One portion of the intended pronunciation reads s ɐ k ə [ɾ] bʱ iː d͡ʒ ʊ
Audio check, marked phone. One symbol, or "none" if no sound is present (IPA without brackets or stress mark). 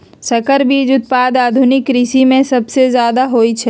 ɾ